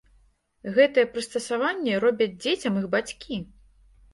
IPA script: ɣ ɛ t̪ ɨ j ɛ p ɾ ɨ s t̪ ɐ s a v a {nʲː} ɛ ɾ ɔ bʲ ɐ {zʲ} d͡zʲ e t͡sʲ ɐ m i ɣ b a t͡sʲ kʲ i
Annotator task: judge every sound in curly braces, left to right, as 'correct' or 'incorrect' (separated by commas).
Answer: correct, incorrect